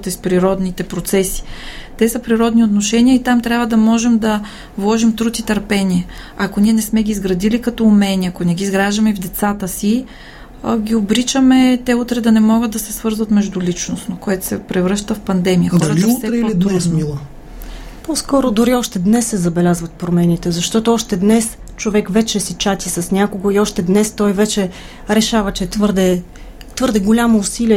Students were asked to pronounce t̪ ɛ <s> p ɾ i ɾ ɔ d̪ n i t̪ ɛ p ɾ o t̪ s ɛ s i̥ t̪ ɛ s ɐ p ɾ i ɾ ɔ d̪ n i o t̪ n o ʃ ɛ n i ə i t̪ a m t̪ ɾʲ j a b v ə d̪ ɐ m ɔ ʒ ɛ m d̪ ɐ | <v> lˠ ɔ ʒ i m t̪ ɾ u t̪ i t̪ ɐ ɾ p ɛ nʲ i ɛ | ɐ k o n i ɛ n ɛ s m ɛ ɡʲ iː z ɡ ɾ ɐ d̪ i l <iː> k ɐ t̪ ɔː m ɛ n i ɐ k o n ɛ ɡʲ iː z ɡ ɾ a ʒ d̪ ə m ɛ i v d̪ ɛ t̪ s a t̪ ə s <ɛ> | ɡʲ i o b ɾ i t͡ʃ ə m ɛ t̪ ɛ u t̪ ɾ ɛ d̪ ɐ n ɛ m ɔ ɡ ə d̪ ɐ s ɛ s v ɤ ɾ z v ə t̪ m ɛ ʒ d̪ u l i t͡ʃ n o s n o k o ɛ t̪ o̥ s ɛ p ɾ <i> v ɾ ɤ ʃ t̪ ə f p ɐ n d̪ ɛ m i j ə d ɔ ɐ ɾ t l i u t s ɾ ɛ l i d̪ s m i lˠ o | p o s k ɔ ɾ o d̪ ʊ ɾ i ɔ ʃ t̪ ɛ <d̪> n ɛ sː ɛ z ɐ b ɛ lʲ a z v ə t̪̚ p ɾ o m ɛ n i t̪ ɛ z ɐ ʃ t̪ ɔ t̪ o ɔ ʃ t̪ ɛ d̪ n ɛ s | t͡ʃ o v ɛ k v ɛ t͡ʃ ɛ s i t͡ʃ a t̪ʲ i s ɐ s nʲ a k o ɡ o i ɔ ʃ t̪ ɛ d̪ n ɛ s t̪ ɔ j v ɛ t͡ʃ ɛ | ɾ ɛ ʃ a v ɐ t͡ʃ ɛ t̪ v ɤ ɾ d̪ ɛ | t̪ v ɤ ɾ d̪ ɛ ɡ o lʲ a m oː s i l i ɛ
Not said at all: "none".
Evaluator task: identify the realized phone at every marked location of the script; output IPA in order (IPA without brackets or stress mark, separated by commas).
s, v, i, i, ɛ, d̪